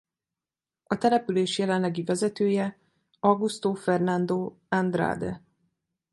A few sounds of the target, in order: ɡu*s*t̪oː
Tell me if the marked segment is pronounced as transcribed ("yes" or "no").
yes